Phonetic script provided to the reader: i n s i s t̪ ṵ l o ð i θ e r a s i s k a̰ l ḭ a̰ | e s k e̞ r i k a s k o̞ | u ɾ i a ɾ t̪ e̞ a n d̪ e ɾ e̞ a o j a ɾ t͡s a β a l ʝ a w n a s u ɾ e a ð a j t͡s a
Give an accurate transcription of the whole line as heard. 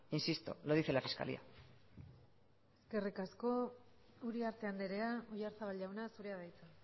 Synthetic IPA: i n s i s t̪ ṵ l o ð i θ e l a f i s k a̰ l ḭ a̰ | e s k e̞ r i k a s k o̞ | u ɾ i a ɾ t̪ e̞ a n d̪ e ɾ e̞ a o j a ɾ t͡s a β a l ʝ a w n a s u ɾ e a ð a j t͡s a